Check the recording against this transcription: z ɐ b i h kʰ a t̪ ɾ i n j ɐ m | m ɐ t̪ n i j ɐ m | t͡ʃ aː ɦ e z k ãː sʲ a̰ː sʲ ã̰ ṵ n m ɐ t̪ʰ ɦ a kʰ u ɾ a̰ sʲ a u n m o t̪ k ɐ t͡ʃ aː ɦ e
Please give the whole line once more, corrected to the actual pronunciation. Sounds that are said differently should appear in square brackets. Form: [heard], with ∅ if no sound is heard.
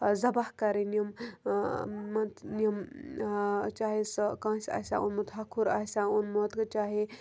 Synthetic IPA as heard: z ɐ b [a] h [k] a [∅] ɾ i n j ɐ m | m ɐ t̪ n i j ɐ m | t͡ʃ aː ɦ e [s] k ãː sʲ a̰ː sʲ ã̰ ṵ n m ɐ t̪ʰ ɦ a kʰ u ɾ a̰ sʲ a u n m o t̪ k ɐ t͡ʃ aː ɦ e